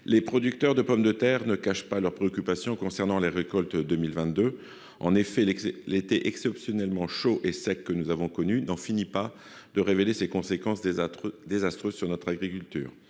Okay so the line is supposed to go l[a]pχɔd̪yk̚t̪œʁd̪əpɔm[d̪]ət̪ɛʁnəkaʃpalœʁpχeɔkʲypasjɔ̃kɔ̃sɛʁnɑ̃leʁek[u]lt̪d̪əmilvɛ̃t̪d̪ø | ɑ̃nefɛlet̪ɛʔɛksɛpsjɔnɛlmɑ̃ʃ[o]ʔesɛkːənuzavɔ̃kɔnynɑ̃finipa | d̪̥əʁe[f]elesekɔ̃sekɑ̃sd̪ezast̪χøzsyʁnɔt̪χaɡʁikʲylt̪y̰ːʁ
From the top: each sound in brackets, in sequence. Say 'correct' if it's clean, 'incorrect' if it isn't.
incorrect: e, correct, incorrect: ɔ, correct, incorrect: v

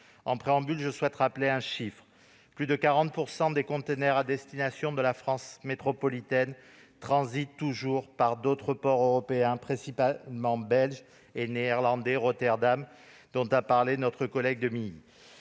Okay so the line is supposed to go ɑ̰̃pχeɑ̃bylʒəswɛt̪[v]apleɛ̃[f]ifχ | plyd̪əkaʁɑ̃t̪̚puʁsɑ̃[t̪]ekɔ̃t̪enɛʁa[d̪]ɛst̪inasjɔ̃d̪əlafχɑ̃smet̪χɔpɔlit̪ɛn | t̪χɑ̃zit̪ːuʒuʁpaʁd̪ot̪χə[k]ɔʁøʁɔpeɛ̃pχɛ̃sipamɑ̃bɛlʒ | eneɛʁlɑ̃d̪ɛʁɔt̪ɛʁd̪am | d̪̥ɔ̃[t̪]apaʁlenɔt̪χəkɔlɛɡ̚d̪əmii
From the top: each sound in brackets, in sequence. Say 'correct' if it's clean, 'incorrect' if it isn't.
incorrect: ʁ, incorrect: ʃ, incorrect: d̪, correct, incorrect: p, correct

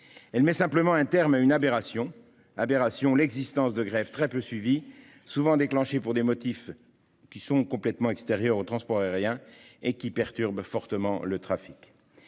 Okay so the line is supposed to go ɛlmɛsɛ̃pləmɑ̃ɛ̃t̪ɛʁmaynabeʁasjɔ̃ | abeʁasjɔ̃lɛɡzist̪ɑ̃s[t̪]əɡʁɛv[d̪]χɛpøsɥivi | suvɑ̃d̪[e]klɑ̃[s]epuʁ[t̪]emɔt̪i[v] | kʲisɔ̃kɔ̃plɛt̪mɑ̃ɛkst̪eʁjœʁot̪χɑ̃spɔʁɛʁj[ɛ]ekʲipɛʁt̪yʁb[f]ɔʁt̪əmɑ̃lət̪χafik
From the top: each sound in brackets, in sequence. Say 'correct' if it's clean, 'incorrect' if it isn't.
incorrect: d̪, incorrect: t̪, correct, incorrect: ʃ, incorrect: d̪, incorrect: f, incorrect: ɛ̃, correct

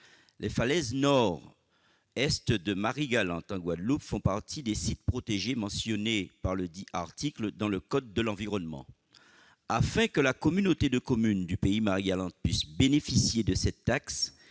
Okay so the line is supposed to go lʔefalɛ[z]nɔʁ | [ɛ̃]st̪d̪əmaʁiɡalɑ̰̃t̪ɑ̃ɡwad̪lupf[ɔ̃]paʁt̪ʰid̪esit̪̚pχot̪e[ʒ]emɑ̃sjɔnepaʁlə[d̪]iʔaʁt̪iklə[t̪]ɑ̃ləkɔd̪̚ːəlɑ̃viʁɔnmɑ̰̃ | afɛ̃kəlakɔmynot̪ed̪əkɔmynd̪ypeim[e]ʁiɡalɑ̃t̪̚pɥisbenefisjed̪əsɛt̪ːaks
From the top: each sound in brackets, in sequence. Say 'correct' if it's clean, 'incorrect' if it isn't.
correct, incorrect: ɛ, correct, correct, correct, incorrect: d̪, incorrect: a

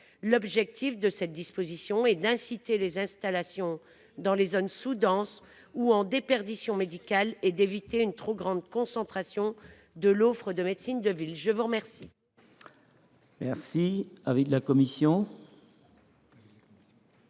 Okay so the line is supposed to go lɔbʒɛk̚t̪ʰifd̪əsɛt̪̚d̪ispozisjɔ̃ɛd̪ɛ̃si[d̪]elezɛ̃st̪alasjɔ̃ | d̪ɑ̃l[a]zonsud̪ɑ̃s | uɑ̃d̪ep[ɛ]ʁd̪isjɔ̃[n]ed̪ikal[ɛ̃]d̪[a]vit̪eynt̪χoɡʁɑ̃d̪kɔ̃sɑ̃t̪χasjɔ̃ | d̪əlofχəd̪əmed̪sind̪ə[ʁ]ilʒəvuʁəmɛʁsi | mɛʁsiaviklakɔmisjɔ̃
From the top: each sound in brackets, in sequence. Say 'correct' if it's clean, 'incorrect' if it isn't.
incorrect: t̪, incorrect: e, correct, incorrect: m, incorrect: ɛ, incorrect: e, incorrect: v

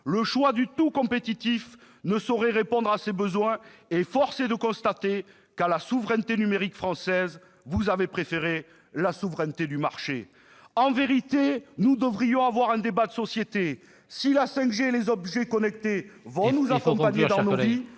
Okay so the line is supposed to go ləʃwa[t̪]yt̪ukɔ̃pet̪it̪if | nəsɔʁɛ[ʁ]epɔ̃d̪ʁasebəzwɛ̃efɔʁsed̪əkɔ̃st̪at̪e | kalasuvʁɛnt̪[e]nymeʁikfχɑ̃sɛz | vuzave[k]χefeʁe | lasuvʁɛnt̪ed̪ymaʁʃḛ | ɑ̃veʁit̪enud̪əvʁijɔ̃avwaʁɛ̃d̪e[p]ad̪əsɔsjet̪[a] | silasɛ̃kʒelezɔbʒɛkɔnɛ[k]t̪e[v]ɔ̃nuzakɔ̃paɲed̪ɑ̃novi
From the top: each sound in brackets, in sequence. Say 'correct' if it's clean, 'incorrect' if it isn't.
incorrect: d̪, correct, correct, incorrect: p, incorrect: b, incorrect: e, correct, correct

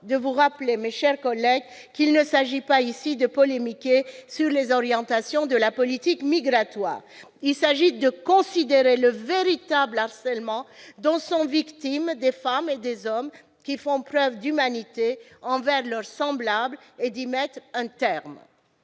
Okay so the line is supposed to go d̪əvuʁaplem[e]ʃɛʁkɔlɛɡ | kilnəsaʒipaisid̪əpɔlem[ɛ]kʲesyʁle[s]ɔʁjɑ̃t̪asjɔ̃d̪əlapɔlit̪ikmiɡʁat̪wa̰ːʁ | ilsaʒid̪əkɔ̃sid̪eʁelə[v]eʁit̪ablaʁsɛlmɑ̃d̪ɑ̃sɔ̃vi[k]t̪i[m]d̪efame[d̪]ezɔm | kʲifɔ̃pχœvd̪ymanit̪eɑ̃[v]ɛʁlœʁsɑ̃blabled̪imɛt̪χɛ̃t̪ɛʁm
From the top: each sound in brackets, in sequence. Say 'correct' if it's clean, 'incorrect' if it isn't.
correct, incorrect: i, incorrect: z, correct, correct, correct, correct, correct

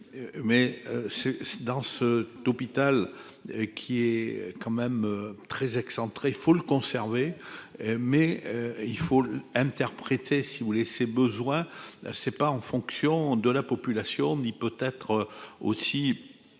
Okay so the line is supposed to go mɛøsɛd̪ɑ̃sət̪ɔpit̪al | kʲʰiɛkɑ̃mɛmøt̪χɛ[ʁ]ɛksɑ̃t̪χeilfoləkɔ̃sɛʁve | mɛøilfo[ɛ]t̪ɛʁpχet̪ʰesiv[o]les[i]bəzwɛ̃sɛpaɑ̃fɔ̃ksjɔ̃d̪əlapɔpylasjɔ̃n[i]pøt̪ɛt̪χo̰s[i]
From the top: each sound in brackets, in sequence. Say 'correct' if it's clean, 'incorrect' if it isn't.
incorrect: z, incorrect: ɛ̃, incorrect: u, incorrect: e, correct, correct

